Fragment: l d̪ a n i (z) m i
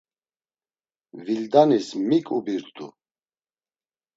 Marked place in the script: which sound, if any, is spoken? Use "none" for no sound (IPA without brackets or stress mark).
s